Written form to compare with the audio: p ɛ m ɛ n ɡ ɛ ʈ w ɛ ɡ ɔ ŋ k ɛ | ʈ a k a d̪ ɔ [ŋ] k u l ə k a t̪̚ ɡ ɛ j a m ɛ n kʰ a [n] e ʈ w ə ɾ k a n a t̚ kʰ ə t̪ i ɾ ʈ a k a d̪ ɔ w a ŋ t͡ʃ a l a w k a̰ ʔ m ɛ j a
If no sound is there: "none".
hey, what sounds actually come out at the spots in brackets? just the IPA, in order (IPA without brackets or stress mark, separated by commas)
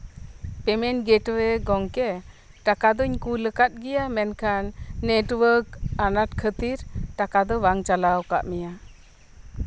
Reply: ɲ, nː